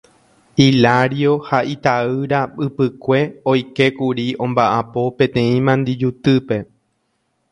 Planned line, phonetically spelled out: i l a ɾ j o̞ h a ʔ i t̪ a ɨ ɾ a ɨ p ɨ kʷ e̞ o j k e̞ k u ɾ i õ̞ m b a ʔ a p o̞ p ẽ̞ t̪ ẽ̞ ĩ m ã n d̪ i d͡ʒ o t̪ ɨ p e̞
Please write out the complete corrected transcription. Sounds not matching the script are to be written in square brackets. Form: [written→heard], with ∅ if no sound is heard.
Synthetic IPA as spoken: i l a ɾ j o̞ h a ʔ i t̪ a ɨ ɾ a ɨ p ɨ kʷ e̞ o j k e̞ k u ɾ i õ̞ m b a ʔ a p o̞ p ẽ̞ t̪ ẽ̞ ĩ m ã n d̪ i d͡ʒ [o→u] t̪ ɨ p e̞